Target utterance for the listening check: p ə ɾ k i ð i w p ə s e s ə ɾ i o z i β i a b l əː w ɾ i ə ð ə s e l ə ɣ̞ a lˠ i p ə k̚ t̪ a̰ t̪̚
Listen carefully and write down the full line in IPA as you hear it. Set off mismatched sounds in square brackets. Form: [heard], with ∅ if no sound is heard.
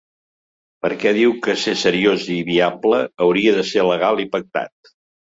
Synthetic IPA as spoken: p ə ɾ k [ɛ] ð i w [k] ə s e s ə ɾ i o z i β i a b l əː w ɾ i ə ð ə s e l ə ɣ̞ a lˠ i p ə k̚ t̪ a̰ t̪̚